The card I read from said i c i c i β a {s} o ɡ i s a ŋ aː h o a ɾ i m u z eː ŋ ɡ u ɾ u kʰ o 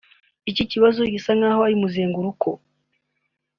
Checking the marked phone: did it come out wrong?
yes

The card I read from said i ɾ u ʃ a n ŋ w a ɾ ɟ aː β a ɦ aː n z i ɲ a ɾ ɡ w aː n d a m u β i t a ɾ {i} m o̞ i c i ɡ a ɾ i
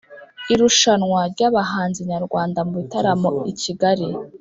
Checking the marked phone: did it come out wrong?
yes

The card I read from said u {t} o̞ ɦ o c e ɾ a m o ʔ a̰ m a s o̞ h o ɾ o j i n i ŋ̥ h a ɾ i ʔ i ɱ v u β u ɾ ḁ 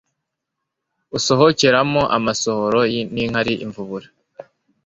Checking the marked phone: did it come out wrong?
yes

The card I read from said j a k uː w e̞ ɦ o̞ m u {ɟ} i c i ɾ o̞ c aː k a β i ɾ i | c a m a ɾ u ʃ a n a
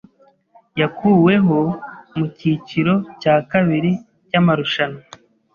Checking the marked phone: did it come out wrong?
yes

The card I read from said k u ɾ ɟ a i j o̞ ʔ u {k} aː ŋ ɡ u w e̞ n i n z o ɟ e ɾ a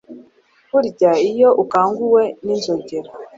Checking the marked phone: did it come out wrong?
no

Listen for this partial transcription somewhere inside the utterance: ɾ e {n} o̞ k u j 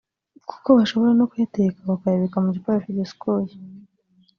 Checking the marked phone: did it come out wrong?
no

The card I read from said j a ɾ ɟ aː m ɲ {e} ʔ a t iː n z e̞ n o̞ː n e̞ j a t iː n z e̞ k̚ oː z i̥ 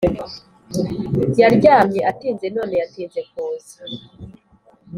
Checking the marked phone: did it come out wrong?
no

